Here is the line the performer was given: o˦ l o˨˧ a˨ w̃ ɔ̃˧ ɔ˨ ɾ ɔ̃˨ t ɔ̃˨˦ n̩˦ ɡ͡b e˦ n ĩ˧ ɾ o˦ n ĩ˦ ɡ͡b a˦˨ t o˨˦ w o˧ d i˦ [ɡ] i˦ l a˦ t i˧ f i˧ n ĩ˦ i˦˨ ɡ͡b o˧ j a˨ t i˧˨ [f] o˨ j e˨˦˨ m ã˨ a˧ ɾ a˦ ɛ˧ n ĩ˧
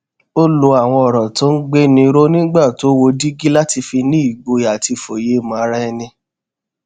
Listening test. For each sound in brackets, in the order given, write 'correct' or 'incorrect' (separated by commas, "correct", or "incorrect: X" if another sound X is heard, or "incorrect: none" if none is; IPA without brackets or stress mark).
correct, correct